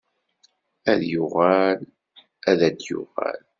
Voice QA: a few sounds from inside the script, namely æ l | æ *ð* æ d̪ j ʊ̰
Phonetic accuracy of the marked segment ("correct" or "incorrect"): correct